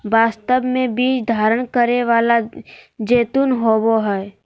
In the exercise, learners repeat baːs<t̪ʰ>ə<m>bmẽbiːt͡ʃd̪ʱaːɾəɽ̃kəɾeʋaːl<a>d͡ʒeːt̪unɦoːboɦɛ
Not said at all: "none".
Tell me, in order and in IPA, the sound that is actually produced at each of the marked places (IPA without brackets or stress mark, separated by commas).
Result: t̪, none, a